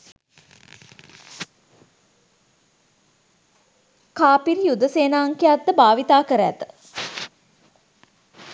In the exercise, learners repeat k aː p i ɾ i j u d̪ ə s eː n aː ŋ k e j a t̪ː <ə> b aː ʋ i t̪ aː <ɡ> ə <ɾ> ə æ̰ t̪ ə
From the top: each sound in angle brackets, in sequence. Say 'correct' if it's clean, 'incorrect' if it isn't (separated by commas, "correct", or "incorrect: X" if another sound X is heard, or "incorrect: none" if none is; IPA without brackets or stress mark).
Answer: correct, incorrect: k, correct